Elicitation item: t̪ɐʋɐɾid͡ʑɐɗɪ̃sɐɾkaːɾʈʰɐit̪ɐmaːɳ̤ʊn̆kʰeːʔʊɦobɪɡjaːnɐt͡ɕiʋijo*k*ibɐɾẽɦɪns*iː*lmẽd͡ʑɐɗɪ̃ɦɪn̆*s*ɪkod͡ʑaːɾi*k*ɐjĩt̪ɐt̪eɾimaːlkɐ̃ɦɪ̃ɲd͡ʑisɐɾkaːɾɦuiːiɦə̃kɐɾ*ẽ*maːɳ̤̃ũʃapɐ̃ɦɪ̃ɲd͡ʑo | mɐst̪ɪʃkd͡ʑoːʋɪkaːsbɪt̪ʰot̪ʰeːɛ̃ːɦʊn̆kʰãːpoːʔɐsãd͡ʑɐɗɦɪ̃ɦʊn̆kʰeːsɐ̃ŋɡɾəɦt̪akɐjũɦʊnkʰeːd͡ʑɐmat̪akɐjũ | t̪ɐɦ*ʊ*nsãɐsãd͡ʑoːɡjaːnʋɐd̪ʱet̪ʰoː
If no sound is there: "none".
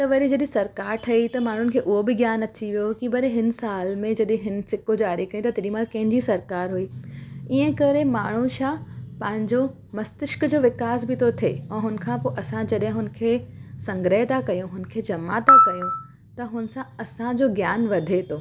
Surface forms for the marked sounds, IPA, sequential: k, aː, s, k, e, ʊ

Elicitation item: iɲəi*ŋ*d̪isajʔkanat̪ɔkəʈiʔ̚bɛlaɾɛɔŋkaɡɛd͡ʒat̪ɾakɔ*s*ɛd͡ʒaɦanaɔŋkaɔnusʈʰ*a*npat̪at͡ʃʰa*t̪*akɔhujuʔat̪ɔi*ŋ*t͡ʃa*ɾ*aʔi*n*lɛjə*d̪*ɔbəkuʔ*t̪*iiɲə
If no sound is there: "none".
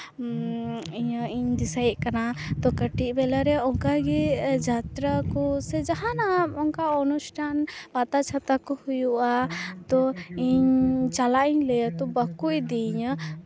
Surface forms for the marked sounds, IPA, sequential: ɲ, s, a, t̪, ɲ, l, ɲ, t̪, d̪

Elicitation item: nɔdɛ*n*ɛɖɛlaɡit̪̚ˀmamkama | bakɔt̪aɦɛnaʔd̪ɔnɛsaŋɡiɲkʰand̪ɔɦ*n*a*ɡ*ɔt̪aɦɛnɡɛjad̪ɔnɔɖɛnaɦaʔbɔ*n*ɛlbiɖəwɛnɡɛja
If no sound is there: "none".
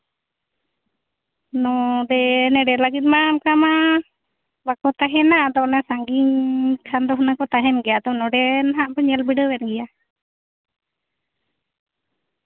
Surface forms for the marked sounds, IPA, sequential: n, n, k, ɲ

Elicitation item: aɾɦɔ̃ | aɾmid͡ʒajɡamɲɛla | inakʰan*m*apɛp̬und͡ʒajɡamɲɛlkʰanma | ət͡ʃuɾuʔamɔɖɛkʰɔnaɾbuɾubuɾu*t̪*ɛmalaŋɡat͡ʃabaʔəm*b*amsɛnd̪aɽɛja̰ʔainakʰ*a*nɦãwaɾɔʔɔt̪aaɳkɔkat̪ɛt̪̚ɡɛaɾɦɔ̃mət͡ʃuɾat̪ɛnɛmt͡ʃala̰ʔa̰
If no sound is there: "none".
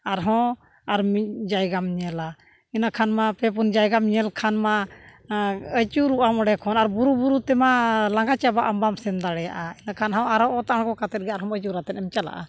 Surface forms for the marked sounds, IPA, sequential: m, t̪, b, a

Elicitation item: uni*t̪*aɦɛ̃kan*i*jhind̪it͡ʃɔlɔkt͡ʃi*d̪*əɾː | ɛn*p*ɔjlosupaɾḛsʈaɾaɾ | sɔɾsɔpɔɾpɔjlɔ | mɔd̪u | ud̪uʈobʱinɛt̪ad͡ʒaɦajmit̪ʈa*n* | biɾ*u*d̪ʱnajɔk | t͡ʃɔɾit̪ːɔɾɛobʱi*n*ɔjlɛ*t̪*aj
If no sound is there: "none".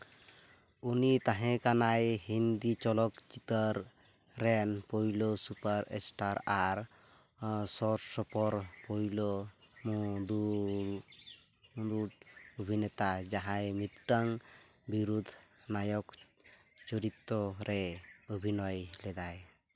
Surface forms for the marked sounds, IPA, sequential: t̪, a, t̪, p, ŋ, u, n, d̪

